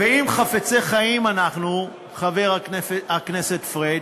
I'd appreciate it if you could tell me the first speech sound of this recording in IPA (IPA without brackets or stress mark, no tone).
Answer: v